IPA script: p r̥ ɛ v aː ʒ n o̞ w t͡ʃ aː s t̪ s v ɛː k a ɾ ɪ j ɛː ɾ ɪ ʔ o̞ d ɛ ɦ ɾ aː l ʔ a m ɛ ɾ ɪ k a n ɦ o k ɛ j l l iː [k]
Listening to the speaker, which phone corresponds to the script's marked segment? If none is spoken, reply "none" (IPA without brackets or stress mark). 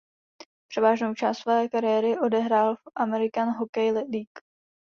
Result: k